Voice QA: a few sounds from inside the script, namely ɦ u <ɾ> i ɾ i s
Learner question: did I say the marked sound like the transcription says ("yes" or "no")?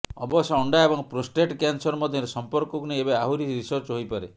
yes